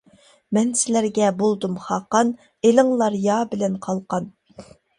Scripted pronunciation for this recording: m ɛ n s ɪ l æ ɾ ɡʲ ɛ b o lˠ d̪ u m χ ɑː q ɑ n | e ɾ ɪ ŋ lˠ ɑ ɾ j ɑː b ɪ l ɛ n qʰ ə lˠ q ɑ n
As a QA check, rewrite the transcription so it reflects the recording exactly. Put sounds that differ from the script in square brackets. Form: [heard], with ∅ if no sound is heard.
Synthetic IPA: m ɛ n s ɪ l æ ɾ ɡʲ ɛ b o lˠ d̪ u m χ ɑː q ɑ n | e [l] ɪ ŋ lˠ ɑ ɾ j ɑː b ɪ l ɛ n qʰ [ɑ] lˠ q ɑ n